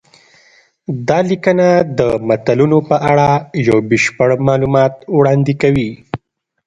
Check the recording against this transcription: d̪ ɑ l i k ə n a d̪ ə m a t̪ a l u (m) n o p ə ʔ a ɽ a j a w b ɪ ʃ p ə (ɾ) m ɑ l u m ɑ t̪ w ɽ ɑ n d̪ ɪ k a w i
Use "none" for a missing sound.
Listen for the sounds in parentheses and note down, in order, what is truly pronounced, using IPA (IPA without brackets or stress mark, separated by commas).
none, ɽ